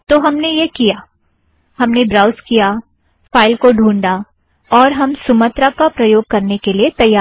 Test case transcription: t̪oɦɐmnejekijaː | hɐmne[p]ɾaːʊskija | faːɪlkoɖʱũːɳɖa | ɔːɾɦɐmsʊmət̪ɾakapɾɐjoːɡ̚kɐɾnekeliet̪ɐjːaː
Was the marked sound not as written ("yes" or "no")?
yes